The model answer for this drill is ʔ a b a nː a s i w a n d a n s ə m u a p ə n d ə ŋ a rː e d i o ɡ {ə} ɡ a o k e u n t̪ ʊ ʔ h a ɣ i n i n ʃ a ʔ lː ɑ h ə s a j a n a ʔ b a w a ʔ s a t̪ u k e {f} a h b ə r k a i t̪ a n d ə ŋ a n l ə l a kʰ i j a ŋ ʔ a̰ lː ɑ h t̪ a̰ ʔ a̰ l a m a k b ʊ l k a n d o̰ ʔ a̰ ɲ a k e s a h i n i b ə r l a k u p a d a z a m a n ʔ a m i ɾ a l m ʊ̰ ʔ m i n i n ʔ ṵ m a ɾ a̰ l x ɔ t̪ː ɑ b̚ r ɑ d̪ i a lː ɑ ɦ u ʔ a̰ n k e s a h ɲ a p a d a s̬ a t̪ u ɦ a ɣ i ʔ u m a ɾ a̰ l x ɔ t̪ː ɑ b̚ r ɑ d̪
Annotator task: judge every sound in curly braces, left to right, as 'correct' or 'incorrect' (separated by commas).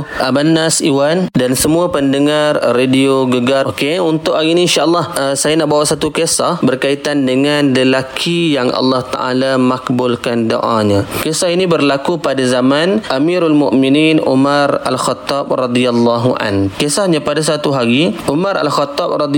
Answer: correct, incorrect